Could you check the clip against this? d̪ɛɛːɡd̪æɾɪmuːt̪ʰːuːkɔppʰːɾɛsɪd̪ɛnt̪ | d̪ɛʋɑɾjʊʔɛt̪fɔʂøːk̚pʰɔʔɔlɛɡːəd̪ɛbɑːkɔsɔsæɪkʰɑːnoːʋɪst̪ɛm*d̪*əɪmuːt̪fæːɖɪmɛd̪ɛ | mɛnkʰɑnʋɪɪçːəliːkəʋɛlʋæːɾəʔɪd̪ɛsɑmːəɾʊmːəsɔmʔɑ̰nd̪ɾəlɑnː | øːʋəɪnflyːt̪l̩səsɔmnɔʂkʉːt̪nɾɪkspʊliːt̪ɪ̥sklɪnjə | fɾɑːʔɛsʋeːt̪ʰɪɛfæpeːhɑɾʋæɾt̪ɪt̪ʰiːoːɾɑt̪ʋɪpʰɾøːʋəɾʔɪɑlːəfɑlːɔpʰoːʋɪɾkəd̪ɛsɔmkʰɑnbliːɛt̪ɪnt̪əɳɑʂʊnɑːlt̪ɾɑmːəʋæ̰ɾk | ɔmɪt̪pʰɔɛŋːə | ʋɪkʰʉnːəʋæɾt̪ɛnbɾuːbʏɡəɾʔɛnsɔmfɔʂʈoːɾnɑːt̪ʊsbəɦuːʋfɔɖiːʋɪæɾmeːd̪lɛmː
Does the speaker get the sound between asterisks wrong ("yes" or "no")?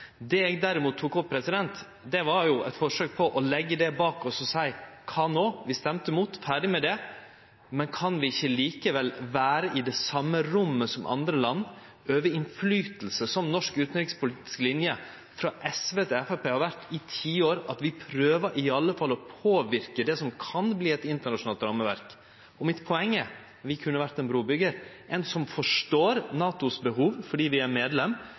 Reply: yes